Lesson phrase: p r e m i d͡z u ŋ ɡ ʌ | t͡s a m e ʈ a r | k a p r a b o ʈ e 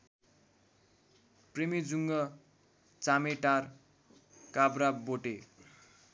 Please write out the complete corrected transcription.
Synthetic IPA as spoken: p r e m i d͡z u ŋ ɡ ʌ | t͡s a m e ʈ a r | k a b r a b o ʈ e